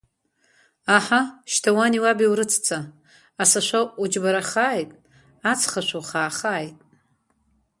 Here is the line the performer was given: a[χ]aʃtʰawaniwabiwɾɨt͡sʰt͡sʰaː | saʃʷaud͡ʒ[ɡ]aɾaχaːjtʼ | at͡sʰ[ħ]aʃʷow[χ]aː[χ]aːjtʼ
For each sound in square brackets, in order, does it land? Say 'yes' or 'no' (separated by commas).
no, no, no, yes, yes